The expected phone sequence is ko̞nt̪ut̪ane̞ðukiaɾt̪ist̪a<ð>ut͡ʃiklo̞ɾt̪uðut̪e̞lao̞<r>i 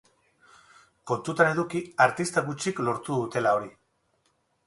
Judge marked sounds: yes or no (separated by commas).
no, no